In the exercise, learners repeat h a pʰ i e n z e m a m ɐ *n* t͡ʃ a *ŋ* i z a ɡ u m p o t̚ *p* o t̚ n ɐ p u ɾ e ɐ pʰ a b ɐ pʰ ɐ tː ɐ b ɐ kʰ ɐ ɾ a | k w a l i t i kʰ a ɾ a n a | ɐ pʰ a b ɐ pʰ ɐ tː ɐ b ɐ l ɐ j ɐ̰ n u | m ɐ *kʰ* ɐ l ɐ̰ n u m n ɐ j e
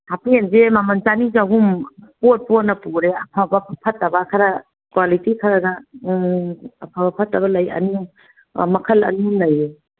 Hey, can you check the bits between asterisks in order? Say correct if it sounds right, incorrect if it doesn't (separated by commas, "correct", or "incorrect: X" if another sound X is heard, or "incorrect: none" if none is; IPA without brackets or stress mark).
correct, incorrect: n, correct, correct